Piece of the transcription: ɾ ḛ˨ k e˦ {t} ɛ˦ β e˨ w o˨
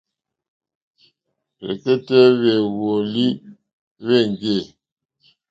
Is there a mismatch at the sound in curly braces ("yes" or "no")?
no